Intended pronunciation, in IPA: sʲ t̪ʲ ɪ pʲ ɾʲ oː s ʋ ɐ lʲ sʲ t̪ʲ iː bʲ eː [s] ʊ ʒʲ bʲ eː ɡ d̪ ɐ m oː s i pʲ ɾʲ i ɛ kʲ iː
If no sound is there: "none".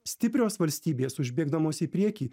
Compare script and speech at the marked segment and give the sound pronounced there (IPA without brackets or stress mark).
s